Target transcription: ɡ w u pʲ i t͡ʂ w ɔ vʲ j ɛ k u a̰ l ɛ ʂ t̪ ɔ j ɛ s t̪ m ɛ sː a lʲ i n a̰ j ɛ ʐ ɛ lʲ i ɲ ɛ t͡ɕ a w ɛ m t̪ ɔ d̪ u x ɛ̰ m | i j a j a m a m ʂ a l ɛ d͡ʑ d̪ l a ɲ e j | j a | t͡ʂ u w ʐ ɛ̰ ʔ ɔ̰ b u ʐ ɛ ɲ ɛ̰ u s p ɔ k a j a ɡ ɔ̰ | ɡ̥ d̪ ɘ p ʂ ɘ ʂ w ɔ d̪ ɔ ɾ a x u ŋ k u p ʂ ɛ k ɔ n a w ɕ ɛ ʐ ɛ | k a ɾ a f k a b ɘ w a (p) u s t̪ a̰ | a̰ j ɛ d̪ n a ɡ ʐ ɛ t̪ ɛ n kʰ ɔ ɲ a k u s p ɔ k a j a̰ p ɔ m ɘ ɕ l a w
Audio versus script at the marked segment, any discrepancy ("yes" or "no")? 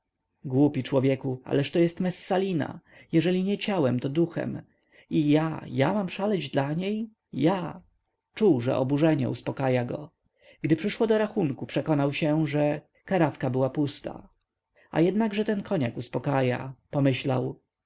no